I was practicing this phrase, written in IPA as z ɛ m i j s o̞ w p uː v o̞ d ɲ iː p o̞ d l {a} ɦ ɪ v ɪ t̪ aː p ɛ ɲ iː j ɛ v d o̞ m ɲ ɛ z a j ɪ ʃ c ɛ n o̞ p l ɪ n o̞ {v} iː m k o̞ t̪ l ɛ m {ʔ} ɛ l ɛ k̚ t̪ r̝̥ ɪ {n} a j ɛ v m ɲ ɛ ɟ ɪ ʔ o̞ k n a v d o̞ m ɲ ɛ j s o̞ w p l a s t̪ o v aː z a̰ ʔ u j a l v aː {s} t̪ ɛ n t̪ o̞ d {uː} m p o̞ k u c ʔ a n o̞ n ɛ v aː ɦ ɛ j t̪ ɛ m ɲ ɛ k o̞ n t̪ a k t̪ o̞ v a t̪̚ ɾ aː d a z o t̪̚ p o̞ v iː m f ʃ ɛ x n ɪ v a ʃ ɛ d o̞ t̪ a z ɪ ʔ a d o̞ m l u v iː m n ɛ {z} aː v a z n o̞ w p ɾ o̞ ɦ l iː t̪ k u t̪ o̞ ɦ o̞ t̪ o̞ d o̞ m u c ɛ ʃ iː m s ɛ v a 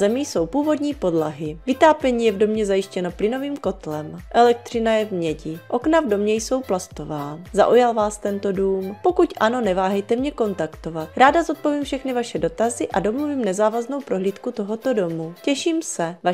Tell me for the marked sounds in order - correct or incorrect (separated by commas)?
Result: correct, correct, correct, correct, correct, correct, correct